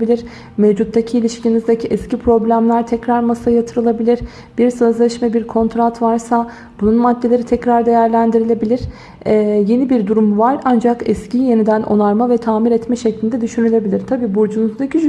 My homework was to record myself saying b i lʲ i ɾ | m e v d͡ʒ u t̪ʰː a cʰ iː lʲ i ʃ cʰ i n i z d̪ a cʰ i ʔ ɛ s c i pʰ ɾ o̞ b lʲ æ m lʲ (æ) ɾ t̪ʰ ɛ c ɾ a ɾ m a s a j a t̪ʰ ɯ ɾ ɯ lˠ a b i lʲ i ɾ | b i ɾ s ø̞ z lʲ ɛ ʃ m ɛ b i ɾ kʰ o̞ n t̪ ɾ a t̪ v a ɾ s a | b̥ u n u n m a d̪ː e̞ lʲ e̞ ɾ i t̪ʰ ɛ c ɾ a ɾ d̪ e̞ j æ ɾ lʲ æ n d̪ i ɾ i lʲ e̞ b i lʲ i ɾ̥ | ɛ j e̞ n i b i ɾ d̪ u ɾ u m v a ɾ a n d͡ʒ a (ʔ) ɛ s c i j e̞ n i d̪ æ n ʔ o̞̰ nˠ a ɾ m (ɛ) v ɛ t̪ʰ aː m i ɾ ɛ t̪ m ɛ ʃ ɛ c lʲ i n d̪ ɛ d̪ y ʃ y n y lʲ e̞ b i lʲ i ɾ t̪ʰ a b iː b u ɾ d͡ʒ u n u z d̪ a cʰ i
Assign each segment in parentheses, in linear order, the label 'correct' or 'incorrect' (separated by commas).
correct, incorrect, incorrect